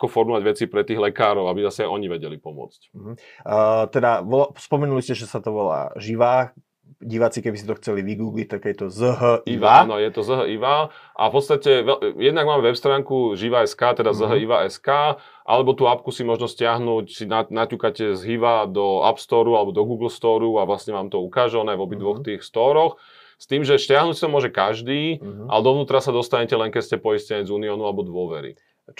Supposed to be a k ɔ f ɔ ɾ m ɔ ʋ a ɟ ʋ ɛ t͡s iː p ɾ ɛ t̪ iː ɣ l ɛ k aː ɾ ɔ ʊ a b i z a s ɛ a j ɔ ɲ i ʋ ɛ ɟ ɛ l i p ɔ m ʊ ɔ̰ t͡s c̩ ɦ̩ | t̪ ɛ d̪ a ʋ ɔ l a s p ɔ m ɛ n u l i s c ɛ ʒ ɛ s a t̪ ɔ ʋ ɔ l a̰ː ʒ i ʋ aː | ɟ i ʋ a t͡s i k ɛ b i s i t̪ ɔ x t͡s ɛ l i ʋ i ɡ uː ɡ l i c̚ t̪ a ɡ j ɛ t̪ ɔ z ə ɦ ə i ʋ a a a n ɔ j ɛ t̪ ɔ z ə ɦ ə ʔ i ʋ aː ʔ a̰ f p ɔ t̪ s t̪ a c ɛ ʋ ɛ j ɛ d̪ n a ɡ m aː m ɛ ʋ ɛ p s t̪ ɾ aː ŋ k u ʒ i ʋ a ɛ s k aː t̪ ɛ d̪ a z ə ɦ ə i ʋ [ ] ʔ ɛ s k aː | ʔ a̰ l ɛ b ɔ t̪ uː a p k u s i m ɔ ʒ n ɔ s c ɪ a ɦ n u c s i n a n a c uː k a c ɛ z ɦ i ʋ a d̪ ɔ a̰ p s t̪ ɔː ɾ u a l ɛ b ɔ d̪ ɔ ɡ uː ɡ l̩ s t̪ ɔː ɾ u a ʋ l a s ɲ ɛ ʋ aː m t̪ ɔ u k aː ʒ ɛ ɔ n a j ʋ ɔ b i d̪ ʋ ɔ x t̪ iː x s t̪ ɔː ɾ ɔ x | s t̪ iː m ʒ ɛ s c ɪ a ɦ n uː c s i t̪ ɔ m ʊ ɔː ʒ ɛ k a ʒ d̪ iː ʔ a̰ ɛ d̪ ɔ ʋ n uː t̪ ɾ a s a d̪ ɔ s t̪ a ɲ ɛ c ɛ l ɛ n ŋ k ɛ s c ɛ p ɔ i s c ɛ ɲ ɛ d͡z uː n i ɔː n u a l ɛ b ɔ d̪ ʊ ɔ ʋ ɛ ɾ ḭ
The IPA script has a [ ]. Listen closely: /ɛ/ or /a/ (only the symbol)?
a